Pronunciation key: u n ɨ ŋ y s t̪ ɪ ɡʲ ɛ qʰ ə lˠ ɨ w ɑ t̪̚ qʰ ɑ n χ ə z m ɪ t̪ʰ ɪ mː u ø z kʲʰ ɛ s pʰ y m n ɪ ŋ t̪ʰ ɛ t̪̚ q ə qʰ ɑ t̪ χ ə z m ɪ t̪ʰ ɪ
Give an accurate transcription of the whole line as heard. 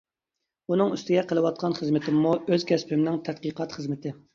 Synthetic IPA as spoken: u n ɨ ŋ y s t̪ ɪ ɡʲ ɛ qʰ ə lˠ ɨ w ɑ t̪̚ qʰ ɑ n χ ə z m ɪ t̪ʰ ɪ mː u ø z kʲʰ ɛ s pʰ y m n ɪ ŋ t̪ʰ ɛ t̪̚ q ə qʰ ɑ t̪ χ ə z m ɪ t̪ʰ ɪ